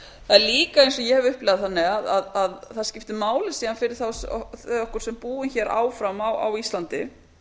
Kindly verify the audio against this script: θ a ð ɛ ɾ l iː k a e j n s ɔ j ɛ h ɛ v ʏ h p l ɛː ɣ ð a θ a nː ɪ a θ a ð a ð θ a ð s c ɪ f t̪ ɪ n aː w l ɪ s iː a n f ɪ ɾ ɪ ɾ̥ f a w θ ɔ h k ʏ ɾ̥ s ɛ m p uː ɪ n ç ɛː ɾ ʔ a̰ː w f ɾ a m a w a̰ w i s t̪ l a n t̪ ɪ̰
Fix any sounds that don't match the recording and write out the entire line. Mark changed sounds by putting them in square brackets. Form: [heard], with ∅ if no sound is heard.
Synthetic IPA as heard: θ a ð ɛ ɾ l iː k a e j n s ɔ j ɛ h ɛ v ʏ h p l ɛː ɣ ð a θ a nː ɪ a [ð] a ð a ð θ a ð s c ɪ f t̪ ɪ [m] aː w l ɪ s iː a n f ɪ ɾ ɪ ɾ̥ [θ] a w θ ɔ h k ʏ ɾ̥ s ɛ m p uː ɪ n ç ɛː ɾ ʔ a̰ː w f ɾ a m a w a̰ w i s t̪ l a n t̪ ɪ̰